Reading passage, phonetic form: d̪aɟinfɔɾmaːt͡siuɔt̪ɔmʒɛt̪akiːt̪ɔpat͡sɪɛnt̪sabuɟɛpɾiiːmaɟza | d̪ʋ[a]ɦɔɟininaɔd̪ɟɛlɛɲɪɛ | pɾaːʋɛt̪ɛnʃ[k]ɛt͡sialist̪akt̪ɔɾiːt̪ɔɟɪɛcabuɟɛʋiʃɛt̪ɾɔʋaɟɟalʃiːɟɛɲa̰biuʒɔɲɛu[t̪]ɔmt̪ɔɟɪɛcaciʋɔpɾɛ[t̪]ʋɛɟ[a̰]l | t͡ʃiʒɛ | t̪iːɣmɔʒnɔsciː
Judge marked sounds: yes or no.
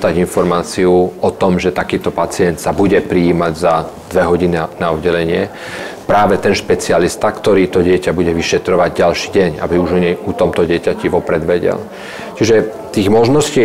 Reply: no, no, yes, no, no

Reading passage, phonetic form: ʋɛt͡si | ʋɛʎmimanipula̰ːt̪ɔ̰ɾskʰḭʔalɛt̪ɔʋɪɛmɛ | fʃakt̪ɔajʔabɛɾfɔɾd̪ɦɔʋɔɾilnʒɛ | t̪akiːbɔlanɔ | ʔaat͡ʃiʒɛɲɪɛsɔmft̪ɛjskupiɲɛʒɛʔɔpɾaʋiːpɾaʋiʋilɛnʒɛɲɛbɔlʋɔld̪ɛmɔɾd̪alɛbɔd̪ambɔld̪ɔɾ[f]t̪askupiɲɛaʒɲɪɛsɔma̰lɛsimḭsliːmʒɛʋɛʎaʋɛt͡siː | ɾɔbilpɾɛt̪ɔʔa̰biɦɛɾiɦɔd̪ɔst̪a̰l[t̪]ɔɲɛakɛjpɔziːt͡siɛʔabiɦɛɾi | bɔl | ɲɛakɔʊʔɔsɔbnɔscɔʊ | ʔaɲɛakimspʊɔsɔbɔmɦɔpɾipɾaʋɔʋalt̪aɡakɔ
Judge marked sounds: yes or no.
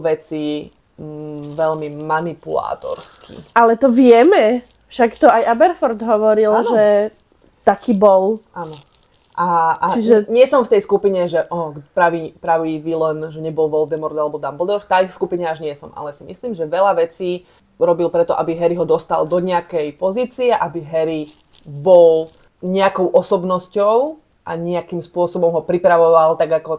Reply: yes, no

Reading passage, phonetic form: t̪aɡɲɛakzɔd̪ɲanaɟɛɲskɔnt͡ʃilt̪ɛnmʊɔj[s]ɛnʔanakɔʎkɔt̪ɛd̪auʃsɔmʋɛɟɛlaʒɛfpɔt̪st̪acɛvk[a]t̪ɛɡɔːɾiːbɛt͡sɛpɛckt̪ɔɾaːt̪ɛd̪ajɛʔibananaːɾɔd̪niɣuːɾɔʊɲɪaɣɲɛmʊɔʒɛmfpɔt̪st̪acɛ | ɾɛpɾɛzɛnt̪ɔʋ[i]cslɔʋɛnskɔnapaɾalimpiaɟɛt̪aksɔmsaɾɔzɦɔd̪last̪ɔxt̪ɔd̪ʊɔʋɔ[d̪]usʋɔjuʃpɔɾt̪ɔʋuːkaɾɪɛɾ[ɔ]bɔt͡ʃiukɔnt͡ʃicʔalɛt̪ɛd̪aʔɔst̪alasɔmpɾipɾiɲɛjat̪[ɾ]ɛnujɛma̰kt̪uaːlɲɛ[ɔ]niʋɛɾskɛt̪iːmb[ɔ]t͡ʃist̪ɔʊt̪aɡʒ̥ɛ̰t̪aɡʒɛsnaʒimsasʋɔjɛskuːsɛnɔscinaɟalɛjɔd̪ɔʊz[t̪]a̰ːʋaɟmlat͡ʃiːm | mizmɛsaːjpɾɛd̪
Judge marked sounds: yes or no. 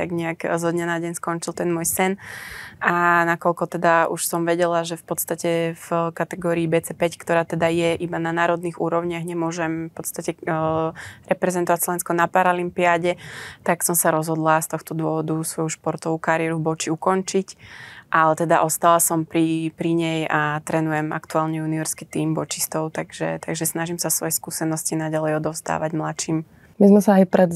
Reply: yes, yes, no, yes, no, yes, no, yes, no

